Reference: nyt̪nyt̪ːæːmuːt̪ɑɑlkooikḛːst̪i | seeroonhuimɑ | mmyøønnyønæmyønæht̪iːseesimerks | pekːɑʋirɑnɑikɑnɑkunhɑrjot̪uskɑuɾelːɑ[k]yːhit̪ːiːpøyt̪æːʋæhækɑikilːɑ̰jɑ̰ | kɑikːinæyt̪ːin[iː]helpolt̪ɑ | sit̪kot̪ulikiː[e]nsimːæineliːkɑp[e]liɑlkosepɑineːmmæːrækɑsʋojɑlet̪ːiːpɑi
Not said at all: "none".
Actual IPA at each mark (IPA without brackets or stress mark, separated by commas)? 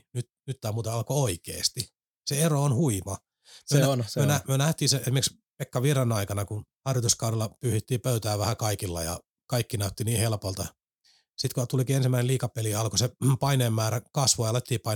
p, iː, e, e